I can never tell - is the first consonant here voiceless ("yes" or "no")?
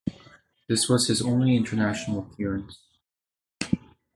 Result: no